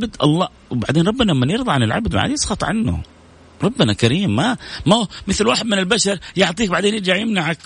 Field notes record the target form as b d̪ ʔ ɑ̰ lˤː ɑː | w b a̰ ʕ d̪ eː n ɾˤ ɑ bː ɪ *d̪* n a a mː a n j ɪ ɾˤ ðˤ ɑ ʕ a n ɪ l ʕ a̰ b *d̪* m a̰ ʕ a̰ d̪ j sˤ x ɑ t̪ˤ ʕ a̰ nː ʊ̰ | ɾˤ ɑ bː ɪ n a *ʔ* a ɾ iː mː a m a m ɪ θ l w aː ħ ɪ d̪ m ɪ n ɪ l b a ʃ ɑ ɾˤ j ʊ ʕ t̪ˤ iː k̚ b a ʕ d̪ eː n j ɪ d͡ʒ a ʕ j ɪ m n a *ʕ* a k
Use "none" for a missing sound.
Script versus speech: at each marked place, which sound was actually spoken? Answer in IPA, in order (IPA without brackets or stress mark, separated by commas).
none, d̪, k, ʕ